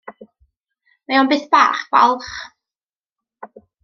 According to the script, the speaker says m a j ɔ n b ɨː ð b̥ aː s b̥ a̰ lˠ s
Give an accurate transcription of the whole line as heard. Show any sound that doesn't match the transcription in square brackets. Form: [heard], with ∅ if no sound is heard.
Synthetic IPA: m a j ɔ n b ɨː [θ] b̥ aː [χ] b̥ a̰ lˠ [χ]